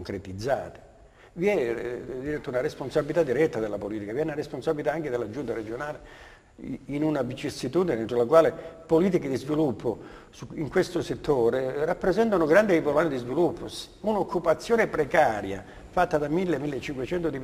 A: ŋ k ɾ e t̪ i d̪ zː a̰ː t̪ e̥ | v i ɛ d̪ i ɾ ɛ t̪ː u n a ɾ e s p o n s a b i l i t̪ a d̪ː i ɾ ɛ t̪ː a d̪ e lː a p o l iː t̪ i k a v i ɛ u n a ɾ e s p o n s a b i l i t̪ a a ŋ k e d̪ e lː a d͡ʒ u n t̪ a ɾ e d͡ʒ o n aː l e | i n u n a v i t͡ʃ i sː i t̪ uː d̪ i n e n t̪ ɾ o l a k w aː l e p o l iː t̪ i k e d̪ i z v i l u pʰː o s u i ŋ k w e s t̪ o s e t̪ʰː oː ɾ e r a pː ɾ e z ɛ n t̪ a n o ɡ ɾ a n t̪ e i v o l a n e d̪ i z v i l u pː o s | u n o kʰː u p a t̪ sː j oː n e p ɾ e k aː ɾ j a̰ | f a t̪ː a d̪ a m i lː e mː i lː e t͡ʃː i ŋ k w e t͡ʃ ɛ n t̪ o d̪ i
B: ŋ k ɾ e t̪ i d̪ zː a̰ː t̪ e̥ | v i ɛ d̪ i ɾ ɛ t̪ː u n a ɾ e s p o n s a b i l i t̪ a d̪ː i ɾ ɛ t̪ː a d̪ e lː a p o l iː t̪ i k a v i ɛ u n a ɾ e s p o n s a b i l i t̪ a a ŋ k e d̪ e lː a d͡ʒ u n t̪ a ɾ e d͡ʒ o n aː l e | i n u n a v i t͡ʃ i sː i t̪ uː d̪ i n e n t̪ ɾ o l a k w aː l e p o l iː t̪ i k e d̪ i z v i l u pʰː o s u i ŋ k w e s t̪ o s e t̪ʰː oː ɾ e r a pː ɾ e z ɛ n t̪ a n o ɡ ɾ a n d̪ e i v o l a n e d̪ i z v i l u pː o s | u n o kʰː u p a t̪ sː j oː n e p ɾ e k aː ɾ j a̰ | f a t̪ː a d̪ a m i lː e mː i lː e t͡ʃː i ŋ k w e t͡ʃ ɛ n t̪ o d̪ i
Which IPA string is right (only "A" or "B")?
B